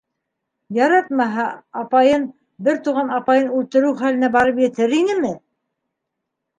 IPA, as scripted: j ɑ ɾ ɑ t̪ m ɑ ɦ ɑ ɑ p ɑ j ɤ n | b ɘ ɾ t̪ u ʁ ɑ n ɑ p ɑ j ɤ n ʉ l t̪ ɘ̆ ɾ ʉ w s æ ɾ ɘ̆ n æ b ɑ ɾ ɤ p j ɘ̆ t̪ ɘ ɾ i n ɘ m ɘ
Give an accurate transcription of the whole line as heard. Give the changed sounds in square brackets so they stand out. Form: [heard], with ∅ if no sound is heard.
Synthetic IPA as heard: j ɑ ɾ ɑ t̪ m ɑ ɦ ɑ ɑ p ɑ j ɤ n | b ɘ ɾ t̪ u ʁ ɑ n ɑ p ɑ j ɤ n ʉ l t̪ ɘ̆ ɾ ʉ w [χ] æ [l] ɘ̆ n æ b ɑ ɾ ɤ p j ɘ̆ t̪ ɘ ɾ i n ɘ m ɘ